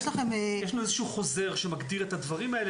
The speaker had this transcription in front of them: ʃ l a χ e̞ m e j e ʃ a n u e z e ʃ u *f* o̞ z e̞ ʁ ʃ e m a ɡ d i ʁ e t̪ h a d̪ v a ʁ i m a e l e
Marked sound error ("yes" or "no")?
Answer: yes